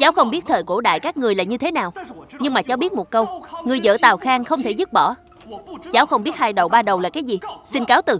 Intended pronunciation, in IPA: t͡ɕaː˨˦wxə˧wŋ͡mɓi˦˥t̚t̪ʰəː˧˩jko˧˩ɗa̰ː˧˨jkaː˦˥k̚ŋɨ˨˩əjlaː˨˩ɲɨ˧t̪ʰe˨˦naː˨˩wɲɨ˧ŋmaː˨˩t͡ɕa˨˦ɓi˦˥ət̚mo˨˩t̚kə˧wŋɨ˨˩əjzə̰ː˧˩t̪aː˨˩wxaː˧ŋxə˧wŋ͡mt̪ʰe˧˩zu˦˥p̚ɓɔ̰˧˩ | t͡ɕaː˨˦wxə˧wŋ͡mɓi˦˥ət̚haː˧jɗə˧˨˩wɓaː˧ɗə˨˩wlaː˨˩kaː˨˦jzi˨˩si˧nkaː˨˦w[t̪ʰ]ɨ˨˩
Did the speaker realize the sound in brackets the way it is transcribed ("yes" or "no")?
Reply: no